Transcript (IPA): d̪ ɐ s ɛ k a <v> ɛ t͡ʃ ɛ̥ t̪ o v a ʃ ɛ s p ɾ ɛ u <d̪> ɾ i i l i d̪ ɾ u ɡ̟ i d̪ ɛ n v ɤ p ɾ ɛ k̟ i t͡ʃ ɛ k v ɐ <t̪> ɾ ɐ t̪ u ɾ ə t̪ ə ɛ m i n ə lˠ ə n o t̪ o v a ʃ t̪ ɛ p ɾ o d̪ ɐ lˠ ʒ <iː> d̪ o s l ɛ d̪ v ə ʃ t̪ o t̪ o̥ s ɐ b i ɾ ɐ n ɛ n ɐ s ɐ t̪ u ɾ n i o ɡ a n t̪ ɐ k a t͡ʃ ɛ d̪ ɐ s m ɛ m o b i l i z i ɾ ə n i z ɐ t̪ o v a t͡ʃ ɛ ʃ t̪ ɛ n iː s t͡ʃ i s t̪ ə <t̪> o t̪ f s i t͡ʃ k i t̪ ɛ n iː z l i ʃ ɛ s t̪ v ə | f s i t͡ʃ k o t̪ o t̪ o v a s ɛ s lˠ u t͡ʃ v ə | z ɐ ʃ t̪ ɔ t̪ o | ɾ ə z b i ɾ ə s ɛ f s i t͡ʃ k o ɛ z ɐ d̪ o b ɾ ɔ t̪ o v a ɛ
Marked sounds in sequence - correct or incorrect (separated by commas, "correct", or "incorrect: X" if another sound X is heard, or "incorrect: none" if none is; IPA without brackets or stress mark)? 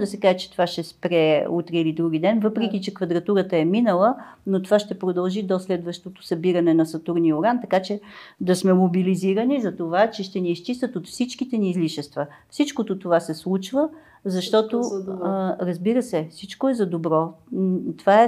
incorrect: ʒ, incorrect: t̪, incorrect: d̪, incorrect: i, correct